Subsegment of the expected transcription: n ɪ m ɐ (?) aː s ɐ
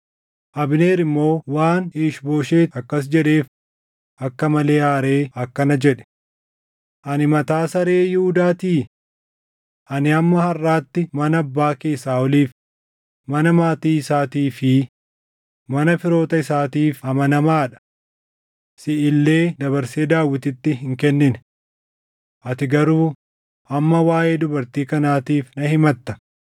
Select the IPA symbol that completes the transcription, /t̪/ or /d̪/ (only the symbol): t̪